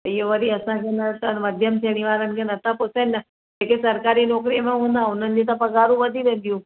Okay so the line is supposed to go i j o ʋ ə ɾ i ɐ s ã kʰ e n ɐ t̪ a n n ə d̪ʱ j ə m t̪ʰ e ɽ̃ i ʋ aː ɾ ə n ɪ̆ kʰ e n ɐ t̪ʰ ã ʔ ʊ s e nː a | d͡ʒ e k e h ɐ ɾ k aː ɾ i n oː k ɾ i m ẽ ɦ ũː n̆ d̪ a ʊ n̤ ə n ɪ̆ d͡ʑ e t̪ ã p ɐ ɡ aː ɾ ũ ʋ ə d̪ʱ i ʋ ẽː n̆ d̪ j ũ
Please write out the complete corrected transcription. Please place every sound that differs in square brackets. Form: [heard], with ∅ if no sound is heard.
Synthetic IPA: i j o ʋ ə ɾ i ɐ s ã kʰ e n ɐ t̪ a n [m] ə d̪ʱ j ə m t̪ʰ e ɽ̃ i ʋ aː ɾ ə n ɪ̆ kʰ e n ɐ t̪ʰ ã [p] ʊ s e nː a | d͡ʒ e k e [s] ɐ ɾ k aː ɾ i n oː k ɾ i m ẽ ɦ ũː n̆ d̪ a ʊ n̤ ə n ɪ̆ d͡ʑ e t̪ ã p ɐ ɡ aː ɾ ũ ʋ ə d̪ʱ i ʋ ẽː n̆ d̪ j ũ

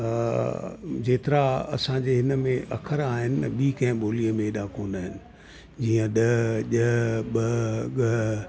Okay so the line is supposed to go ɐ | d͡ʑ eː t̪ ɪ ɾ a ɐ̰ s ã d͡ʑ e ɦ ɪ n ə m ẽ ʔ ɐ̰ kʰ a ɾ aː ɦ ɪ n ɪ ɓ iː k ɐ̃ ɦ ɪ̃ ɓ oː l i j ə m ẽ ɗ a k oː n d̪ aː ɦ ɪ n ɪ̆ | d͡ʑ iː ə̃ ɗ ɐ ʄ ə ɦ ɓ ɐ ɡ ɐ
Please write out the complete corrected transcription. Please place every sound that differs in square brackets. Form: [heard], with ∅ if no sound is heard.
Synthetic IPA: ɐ | d͡ʑ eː t̪ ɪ ɾ a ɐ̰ s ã d͡ʑ e ɦ ɪ n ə m ẽ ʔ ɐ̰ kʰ [ə] ɾ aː ɦ ɪ n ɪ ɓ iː k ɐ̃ ɦ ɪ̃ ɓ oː l i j ə m ẽ ɗ a k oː n d̪ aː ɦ ɪ n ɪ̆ | d͡ʑ iː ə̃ ɗ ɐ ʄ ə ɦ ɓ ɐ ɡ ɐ

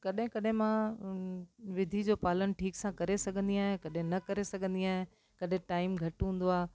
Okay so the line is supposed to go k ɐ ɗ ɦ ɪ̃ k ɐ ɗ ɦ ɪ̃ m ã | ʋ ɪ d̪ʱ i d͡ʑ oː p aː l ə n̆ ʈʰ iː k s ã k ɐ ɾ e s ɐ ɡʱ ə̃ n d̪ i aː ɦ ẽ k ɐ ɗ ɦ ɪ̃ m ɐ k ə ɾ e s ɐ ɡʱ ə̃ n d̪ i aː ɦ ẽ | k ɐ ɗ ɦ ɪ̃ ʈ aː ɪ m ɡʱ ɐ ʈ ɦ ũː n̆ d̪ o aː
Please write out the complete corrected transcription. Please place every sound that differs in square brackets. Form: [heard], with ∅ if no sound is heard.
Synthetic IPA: k ɐ ɗ ɦ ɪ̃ k ɐ ɗ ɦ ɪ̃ m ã | ʋ ɪ d̪ʱ i d͡ʑ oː p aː l ə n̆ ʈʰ iː k s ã k ɐ ɾ e s ɐ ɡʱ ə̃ n d̪ i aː ɦ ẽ k ɐ ɗ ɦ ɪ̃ [n] ɐ k [ɐ] ɾ e s ɐ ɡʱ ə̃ n d̪ i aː ɦ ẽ | k ɐ ɗ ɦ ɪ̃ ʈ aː ɪ m ɡʱ ɐ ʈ ɦ ũː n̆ d̪ o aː

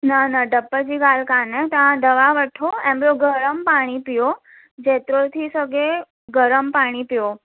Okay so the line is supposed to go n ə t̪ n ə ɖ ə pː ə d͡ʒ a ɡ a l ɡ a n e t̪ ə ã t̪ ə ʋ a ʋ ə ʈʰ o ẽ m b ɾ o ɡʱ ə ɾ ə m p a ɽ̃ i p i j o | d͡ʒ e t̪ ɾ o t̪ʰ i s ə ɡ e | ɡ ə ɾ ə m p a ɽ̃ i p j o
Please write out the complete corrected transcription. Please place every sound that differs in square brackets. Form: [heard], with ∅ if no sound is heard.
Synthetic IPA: n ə [∅] n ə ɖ ə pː ə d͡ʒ [i] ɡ a l [k] a n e t̪ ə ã [d̪] ə ʋ a ʋ ə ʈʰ o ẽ m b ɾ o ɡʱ ə ɾ ə m p a ɽ̃ i p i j o | d͡ʒ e t̪ ɾ o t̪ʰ i s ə ɡ e | ɡ ə ɾ ə m p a ɽ̃ i p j o

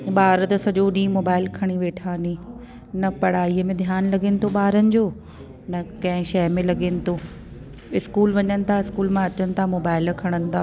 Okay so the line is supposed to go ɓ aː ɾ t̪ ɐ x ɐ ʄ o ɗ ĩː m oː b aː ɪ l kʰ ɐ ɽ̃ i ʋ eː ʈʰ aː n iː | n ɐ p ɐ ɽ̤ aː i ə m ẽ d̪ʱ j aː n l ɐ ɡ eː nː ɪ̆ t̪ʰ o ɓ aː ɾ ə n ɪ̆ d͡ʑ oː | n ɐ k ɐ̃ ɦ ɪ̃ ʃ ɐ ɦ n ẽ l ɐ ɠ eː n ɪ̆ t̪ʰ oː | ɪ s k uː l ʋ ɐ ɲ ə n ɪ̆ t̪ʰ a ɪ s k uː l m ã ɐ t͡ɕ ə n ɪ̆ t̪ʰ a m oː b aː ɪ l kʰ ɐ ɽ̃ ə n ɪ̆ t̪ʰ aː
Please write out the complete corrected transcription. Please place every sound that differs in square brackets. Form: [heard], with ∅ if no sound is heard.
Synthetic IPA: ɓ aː ɾ t̪ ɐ [s] ɐ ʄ o ɗ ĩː m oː b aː ɪ l kʰ ɐ ɽ̃ i ʋ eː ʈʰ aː n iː | n ɐ p ɐ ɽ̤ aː i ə m ẽ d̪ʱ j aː n l ɐ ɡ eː [n] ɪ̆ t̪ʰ o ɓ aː ɾ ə n ɪ̆ d͡ʑ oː | n ɐ k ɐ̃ ɦ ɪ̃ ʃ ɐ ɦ [m] ẽ l ɐ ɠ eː n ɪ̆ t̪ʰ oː | ɪ s k uː l ʋ ɐ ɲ ə n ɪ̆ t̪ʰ a ɪ s k uː l m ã ɐ t͡ɕ ə n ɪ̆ t̪ʰ a m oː b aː ɪ l kʰ ɐ ɽ̃ ə n ɪ̆ t̪ʰ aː

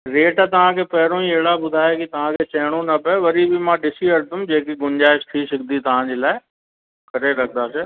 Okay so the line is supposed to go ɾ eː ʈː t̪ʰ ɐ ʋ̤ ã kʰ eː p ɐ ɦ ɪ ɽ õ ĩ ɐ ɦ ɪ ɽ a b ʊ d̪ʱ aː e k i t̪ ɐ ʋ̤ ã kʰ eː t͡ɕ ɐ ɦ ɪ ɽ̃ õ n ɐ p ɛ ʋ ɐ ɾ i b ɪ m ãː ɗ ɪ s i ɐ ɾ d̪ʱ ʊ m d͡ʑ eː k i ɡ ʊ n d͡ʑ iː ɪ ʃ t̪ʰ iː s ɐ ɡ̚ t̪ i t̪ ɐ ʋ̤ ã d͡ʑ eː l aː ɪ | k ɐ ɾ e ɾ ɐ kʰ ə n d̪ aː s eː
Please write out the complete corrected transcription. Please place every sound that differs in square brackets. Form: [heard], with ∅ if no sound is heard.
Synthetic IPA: ɾ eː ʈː [t̪] ɐ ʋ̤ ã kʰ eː p ɐ ɦ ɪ [ɾ] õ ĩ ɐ ɦ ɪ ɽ a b ʊ d̪ʱ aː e k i t̪ ɐ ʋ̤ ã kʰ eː t͡ɕ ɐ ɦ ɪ ɽ̃ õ n ɐ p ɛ ʋ ɐ ɾ i b ɪ m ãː ɗ ɪ s i ɐ ɾ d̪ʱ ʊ m d͡ʑ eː k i ɡ ʊ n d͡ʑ [aː] ɪ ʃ t̪ʰ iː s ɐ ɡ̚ [d̪] i t̪ ɐ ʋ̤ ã d͡ʑ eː l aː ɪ | k ɐ ɾ e ɾ ɐ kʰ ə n d̪ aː s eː

